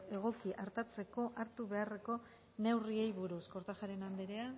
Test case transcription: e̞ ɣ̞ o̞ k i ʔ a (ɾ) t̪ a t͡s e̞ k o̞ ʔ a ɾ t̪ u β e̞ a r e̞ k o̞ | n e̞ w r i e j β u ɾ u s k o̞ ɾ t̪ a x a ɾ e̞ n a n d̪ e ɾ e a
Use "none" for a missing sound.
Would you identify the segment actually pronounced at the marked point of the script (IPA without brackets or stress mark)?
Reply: ɾ